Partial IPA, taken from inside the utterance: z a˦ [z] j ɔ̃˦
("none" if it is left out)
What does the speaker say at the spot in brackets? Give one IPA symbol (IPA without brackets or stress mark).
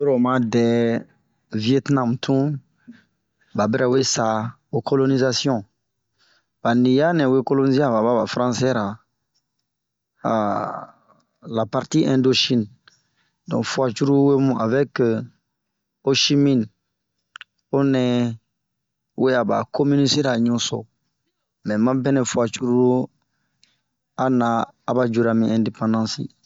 s